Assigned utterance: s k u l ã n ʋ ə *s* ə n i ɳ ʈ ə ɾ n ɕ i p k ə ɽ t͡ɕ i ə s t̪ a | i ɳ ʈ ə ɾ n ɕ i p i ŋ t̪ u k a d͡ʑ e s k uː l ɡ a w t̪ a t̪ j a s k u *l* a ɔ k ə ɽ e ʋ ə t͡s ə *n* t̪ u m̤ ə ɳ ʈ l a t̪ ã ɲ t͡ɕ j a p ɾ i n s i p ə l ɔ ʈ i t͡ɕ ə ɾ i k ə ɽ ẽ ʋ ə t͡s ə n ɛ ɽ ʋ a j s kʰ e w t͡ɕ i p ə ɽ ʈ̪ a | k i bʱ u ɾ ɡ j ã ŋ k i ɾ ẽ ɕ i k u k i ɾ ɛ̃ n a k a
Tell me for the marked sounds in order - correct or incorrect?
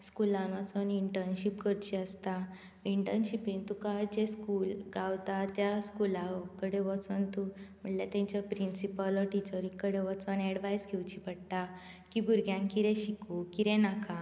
incorrect: t͡s, correct, correct

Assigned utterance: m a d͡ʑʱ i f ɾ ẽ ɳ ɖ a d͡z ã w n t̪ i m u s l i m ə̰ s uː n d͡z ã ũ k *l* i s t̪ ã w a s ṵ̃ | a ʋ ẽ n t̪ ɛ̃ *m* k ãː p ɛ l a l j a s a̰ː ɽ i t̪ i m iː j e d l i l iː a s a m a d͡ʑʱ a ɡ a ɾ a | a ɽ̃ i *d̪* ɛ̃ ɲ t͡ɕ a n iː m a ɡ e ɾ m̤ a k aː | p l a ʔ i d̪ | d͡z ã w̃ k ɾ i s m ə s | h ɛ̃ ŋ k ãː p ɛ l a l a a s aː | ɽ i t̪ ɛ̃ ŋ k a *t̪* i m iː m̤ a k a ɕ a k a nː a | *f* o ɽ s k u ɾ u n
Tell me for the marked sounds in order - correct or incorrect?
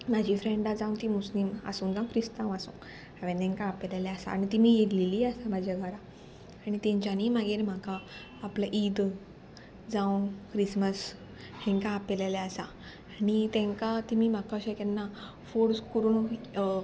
incorrect: ɾ, incorrect: ŋ, incorrect: t̪, correct, correct

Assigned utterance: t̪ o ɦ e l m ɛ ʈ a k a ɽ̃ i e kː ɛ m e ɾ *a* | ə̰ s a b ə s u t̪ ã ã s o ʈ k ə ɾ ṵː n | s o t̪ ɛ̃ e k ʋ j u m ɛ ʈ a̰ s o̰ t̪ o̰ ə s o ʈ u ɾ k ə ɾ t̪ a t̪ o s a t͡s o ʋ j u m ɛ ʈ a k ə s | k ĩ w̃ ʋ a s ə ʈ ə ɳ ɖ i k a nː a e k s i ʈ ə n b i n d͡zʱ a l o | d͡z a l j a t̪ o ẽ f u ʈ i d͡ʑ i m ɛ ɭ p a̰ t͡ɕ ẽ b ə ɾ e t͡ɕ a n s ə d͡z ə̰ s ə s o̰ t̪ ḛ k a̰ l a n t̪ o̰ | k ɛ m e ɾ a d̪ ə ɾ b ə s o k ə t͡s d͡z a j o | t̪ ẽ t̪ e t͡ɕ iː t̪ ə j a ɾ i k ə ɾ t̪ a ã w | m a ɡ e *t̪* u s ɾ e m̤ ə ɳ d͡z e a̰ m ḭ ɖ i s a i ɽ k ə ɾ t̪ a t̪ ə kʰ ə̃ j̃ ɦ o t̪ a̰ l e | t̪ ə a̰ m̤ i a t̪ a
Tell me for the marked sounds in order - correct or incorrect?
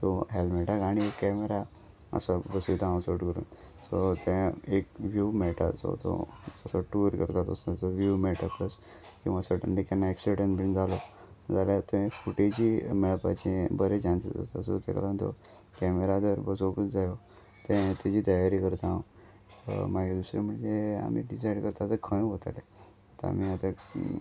correct, incorrect: d̪

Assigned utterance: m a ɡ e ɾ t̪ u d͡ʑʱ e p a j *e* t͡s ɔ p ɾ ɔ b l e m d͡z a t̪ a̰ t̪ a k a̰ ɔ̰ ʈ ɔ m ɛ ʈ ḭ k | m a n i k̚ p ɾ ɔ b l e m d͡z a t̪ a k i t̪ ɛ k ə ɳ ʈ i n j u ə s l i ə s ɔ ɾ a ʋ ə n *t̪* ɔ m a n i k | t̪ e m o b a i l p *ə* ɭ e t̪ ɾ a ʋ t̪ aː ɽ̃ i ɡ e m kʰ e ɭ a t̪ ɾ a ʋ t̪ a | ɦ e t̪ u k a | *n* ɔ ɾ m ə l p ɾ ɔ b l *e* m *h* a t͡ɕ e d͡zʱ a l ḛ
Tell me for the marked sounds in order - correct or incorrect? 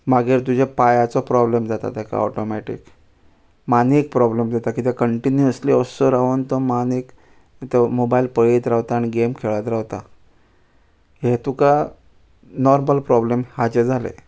incorrect: a, correct, correct, correct, correct, correct

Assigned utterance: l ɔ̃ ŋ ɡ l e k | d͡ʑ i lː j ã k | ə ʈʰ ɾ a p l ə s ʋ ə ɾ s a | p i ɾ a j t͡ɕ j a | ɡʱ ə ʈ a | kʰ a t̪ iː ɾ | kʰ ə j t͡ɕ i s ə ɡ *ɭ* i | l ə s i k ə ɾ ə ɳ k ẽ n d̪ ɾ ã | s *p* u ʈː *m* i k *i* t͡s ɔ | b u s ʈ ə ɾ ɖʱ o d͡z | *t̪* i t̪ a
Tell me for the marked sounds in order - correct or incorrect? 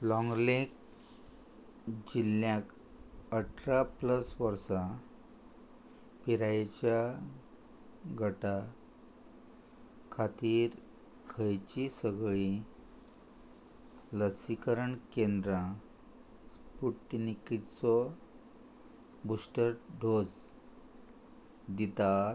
correct, correct, incorrect: n, correct, incorrect: d̪

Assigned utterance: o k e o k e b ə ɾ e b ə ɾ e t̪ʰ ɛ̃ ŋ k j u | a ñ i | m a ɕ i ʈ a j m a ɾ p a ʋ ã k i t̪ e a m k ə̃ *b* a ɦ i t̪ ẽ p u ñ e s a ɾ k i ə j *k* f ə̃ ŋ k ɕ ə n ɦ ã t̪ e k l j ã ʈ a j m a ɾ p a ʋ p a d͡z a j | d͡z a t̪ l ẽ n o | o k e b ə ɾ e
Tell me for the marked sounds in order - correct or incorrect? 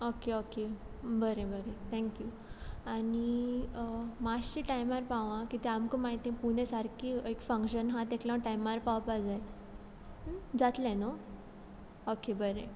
incorrect: m, correct

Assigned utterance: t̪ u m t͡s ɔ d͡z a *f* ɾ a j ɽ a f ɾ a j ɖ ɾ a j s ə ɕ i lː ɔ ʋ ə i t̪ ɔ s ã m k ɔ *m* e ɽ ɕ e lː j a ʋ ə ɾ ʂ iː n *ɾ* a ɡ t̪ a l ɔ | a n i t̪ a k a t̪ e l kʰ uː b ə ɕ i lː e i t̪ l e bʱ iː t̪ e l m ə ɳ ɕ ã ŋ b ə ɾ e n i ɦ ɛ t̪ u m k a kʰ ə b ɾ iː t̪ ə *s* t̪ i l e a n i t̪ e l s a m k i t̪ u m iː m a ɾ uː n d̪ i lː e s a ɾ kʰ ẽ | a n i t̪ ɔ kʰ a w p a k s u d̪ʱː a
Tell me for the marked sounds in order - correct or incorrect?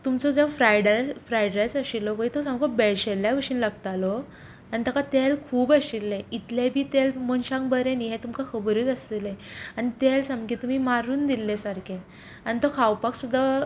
correct, incorrect: b, incorrect: l, correct

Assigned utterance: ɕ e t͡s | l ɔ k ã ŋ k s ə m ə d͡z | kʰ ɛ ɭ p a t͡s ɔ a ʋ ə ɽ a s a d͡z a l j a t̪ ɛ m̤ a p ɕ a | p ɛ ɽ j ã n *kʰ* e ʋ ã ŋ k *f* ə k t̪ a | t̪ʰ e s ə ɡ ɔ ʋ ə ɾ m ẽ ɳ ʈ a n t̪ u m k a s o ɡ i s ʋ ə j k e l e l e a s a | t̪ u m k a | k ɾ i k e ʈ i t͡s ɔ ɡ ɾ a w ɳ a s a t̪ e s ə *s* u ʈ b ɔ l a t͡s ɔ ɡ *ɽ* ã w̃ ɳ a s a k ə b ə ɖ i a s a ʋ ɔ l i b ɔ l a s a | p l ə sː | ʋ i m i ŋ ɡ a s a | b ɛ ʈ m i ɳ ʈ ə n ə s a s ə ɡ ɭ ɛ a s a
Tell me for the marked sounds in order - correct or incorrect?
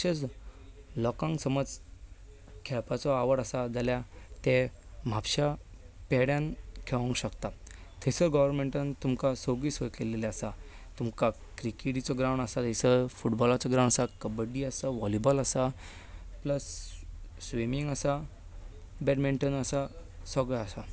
correct, incorrect: ɕ, incorrect: f, incorrect: ɾ

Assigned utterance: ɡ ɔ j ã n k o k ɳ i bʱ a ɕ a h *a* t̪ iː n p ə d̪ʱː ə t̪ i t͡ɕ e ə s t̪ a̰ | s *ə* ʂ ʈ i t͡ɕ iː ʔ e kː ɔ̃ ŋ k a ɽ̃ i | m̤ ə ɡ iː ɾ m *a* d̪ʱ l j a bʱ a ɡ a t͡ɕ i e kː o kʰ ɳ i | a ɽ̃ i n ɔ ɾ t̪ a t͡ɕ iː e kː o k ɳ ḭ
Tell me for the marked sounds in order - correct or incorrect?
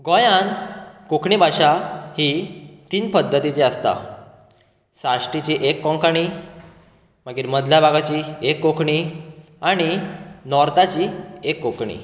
incorrect: i, incorrect: a, incorrect: ə

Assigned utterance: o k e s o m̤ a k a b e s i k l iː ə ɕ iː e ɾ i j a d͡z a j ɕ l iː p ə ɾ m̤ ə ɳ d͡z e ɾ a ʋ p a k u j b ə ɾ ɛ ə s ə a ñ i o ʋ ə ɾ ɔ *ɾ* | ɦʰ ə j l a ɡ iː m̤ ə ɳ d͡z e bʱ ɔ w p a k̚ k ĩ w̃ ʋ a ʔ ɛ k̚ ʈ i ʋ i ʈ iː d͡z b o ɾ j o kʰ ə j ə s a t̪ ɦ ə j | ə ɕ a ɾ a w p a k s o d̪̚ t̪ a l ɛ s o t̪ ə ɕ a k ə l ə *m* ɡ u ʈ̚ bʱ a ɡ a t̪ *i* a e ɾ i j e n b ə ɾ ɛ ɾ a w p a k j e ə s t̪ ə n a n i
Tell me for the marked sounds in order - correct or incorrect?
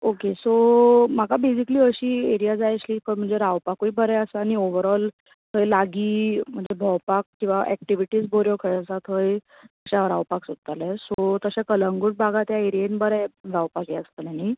incorrect: l, incorrect: ŋ, incorrect: j

